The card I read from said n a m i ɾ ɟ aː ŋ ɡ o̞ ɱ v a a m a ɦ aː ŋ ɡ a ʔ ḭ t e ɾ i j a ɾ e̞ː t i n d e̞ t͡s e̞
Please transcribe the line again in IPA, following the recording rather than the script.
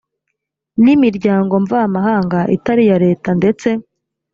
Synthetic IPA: n i m i ɾ ɟ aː ŋ ɡ o̞ ɱ v a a m a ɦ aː ŋ ɡ a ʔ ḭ t a ɾ i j a ɾ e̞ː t a n d e̞ t͡s e̞